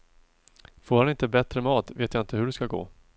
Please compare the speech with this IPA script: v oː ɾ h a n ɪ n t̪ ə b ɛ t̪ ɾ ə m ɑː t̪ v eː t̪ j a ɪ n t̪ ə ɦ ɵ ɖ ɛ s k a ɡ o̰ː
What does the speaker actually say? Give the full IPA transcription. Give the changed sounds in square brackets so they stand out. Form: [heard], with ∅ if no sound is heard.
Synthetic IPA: [f] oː ɾ h a n ɪ n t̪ ə b ɛ t̪ ɾ ə m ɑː t̪ v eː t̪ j a ɪ n t̪ ə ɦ ɵ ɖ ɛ s k a ɡ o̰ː